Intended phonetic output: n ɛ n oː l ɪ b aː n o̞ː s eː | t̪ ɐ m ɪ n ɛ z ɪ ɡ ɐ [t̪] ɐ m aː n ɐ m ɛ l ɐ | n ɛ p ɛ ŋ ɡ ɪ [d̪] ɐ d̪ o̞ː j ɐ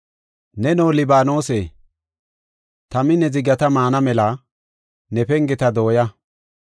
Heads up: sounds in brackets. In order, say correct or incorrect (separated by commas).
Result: correct, incorrect